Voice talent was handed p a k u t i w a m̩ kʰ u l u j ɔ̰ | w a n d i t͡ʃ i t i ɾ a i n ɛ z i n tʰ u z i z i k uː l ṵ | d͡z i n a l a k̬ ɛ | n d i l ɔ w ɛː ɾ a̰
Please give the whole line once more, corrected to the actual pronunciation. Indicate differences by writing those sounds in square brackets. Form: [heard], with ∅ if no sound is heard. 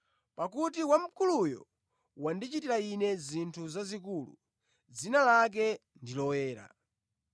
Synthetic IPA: p a k u t i w a m̩ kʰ u l u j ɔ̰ | w a n d i t͡ʃ i t i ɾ a i n ɛ z i n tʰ u z [a] z i k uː l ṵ | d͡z i n a l a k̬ ɛ | n d i l ɔ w ɛː ɾ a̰